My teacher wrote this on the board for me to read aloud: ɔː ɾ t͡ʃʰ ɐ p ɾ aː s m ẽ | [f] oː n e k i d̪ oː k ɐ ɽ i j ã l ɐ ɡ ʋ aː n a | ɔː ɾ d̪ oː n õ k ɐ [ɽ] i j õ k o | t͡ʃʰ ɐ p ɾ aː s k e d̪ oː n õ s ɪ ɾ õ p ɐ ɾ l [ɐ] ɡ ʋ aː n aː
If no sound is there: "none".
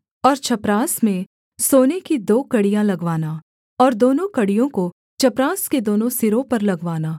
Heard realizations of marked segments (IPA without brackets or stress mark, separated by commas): s, ɽ, ɐ